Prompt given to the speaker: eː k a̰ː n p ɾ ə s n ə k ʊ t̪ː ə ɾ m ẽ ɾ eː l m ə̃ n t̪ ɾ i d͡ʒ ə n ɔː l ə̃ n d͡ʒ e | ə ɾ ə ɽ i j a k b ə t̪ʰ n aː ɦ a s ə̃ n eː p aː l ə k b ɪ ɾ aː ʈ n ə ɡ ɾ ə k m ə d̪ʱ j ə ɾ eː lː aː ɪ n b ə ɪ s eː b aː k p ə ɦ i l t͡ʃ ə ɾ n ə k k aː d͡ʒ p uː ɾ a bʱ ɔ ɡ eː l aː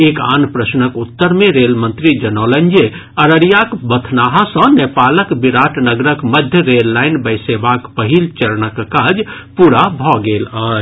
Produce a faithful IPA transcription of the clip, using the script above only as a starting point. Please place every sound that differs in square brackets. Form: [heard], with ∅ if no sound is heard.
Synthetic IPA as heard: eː k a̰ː n p ɾ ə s n ə k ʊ t̪ː ə ɾ m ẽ ɾ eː l m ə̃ n t̪ ɾ i d͡ʒ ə n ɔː l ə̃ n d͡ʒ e | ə ɾ ə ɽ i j a k b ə t̪ʰ n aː ɦ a s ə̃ n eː p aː l ə k b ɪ ɾ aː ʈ n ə ɡ ɾ ə k m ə d̪ʱ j ə ɾ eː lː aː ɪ n b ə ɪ s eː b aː k p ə ɦ i l t͡ʃ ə ɾ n ə k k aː d͡ʒ p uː ɾ a bʱ ɔ ɡ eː l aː